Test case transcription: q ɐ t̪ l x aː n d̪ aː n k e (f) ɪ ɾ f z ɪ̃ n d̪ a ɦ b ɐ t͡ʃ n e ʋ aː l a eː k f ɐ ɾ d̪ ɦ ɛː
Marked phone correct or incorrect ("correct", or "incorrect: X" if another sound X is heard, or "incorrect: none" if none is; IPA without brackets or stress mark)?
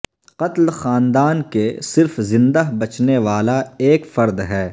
incorrect: s